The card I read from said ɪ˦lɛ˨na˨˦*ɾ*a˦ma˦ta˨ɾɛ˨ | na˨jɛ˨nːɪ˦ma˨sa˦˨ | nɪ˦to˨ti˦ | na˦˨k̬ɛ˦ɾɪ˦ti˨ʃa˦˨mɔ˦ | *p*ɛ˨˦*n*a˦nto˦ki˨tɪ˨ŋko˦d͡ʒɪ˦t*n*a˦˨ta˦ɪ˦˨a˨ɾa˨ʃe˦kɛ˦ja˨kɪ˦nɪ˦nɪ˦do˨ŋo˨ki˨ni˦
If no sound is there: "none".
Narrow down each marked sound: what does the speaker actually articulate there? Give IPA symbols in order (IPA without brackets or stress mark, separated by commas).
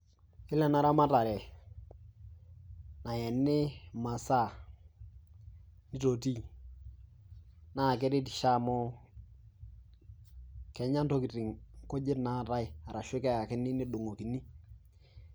ɾ, k, ɲ, n